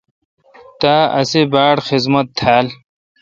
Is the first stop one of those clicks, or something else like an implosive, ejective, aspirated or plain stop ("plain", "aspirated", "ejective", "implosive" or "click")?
plain